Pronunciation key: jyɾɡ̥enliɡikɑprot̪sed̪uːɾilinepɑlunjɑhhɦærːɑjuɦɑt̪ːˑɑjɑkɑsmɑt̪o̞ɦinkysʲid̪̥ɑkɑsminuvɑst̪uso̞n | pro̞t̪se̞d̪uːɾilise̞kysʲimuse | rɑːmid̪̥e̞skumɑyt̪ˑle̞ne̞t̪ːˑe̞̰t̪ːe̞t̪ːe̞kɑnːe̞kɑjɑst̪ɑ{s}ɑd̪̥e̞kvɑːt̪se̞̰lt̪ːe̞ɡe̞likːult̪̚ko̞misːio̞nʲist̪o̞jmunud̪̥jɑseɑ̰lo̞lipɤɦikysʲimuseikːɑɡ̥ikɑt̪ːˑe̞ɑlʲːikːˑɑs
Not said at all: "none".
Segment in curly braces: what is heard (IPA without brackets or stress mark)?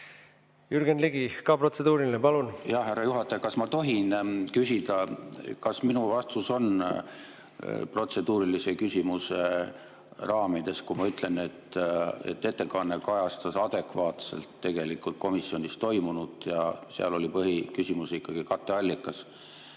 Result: s